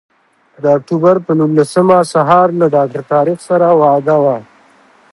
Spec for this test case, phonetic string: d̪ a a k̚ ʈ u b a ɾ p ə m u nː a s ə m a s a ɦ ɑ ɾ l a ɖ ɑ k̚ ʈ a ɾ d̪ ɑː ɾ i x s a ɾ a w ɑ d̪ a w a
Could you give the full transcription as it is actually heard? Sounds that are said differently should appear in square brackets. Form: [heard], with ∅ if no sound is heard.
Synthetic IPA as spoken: d̪ [ə] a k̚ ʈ u b a ɾ p ə [n] u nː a s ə m a s a ɦ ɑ ɾ l a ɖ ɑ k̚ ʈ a ɾ [t̪] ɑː ɾ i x s a ɾ a w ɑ d̪ a w a

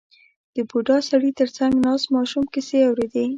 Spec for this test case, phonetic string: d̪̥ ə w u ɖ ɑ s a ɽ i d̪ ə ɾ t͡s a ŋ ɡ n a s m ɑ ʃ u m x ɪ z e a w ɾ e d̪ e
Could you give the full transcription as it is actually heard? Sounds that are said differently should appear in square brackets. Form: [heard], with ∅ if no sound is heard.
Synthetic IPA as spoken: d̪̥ ə [b] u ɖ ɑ s a ɽ i [t̪] ə ɾ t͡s a ŋ ɡ n [ɑ] s m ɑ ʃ u m [k] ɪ [s] e a w ɾ e d̪ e

